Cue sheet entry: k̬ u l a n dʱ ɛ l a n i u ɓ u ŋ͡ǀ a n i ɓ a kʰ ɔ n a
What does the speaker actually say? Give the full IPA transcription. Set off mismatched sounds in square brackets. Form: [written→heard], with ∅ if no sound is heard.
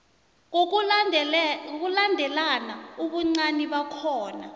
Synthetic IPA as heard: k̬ u l a n dʱ ɛ l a n [i→a] u ɓ u ŋ͡ǀ a n i ɓ a kʰ [ɔ→ɔː] n a